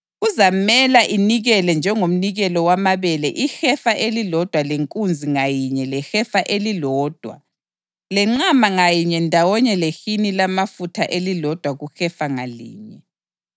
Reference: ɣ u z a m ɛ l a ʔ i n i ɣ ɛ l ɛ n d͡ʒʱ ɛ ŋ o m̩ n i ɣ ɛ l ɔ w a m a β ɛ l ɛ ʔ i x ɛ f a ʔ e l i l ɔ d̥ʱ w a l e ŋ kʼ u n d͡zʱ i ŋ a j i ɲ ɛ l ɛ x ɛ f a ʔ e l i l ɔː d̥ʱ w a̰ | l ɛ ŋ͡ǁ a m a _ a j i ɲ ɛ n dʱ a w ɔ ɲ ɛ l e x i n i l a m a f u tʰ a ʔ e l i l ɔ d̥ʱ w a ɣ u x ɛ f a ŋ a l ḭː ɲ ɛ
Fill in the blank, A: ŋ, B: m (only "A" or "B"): A